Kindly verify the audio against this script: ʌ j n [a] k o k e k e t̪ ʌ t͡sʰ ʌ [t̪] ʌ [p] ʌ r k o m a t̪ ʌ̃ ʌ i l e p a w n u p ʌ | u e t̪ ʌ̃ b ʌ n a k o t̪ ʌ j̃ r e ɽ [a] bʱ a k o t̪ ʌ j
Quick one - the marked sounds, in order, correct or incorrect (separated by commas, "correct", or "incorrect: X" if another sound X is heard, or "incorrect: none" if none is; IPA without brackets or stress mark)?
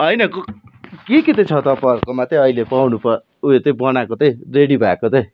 incorrect: ʌ, correct, correct, incorrect: i